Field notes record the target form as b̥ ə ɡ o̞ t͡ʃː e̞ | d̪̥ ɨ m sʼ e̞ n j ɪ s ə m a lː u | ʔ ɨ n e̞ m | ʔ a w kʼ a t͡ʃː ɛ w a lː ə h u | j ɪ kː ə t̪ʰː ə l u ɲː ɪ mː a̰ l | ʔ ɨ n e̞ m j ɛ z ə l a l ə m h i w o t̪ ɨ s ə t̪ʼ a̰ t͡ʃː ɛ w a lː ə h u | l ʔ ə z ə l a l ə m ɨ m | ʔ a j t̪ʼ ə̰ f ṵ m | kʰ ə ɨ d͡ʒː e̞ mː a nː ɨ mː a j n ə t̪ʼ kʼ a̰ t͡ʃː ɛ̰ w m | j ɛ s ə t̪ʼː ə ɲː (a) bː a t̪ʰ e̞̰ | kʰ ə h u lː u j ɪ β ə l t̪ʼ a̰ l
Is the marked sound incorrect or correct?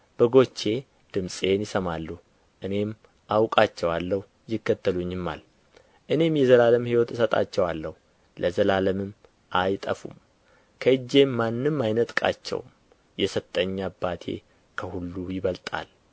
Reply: correct